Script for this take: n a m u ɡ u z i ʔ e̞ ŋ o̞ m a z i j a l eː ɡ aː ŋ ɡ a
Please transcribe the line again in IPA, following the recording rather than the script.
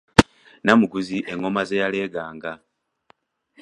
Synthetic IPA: n a m u ɡ u z i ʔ e̞ ŋ o̞ m a z e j a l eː ɡ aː ŋ ɡ a